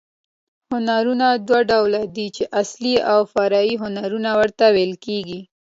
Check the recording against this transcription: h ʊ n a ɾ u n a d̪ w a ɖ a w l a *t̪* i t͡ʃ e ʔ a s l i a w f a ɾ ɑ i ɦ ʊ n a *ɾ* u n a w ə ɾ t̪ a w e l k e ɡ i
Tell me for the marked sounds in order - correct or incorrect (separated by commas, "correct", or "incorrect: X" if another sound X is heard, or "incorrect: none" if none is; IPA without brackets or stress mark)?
incorrect: d̪, correct